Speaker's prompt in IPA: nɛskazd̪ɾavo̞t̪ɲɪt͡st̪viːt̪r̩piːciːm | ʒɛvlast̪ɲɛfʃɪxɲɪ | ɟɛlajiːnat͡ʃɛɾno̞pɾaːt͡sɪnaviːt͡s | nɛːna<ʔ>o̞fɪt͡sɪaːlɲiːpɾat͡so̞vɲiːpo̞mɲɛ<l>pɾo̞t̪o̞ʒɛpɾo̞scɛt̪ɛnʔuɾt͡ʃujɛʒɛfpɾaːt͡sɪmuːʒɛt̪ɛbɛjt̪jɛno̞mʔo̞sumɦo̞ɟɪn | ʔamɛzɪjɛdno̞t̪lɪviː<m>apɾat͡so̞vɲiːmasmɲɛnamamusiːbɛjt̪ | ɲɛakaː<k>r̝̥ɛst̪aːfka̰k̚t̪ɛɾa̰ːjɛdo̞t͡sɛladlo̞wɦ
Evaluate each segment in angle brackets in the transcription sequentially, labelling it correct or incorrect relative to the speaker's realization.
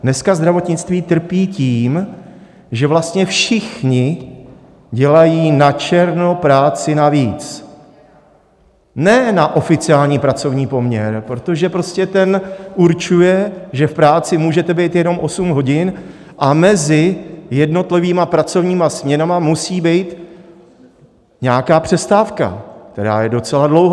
correct, incorrect: ɾ, correct, incorrect: p

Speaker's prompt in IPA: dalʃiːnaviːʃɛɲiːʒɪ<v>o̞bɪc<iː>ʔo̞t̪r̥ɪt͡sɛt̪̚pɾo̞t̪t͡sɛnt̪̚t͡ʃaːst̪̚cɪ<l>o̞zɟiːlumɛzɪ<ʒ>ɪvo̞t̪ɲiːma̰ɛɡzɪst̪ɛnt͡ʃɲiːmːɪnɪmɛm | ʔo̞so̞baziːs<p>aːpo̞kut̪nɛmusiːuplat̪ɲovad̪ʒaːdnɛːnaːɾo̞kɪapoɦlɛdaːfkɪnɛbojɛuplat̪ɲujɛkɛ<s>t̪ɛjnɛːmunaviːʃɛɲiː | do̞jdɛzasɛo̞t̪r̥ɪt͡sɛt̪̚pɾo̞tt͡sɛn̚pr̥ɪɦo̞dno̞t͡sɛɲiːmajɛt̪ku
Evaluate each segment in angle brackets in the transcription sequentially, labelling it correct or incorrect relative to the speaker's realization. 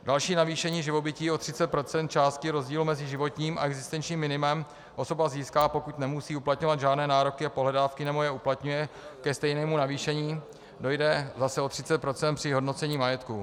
correct, correct, incorrect: ɾ, correct, incorrect: k, correct

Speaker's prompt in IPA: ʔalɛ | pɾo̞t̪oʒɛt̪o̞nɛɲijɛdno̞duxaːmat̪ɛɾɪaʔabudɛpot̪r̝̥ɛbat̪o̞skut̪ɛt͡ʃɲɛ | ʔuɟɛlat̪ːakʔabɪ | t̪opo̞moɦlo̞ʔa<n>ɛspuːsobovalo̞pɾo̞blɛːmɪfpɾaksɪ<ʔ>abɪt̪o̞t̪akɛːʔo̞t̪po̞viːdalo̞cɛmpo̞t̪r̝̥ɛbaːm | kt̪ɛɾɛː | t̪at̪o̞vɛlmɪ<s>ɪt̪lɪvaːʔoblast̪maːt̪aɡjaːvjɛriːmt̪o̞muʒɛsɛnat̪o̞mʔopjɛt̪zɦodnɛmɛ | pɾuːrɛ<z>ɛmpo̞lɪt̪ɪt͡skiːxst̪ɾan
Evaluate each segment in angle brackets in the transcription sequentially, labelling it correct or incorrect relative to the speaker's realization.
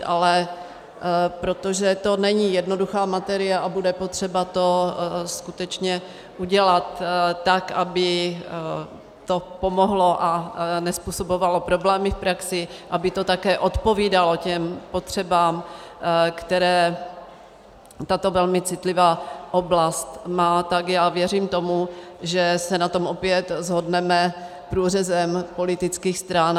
correct, correct, incorrect: t͡s, correct

